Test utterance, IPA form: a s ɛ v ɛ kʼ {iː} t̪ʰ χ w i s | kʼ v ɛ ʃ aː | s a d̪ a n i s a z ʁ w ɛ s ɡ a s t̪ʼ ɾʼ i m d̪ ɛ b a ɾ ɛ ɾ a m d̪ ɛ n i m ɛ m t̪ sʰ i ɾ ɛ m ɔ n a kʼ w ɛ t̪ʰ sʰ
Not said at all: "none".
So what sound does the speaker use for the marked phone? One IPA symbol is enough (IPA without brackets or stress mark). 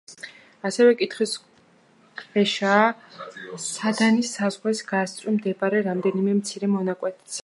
i